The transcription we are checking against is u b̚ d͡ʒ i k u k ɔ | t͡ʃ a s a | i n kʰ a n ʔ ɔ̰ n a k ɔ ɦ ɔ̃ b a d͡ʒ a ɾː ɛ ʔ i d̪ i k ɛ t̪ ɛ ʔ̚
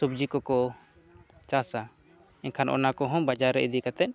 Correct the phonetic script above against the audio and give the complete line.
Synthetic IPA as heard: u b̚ d͡ʒ i k ɔ k ɔ | t͡ʃ a s a | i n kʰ a n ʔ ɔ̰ n a k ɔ ɦ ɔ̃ b a d͡ʒ a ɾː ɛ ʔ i d̪ i k a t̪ ɛ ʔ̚